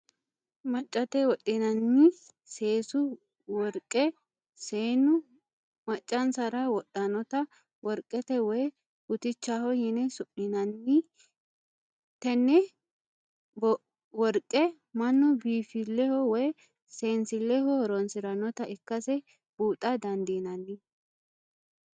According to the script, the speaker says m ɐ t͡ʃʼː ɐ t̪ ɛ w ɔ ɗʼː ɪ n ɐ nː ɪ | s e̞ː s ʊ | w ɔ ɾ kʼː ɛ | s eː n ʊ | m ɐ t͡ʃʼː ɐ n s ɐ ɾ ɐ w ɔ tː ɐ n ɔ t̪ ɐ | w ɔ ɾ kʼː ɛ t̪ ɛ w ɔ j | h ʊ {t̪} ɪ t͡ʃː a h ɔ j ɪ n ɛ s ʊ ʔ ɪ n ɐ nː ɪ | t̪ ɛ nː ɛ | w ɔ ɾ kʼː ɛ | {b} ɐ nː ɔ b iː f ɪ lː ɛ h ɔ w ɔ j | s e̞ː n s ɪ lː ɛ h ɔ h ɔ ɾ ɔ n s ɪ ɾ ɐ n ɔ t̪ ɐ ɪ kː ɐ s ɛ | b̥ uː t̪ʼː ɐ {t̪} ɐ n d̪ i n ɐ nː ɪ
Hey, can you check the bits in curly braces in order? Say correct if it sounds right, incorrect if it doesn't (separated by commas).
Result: correct, incorrect, incorrect